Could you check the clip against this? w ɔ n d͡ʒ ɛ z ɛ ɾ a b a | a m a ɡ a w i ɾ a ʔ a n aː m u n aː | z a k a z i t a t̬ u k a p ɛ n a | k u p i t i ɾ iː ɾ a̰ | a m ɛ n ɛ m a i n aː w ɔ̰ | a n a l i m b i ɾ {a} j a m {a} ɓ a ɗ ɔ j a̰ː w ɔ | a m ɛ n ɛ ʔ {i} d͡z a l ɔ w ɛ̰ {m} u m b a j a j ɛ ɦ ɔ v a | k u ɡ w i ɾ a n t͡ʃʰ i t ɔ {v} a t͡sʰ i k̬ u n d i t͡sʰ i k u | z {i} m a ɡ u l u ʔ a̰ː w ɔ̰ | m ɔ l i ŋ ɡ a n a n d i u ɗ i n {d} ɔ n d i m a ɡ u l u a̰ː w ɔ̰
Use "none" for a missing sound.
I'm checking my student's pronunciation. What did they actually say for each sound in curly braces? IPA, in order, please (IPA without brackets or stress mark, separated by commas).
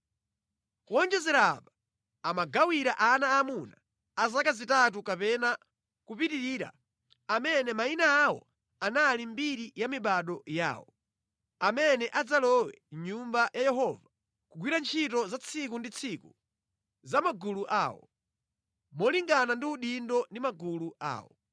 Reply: i, i, a, ɲ, z, a, d